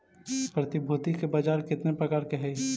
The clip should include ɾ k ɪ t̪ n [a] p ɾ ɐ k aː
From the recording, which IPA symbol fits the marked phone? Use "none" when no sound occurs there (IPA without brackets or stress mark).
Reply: e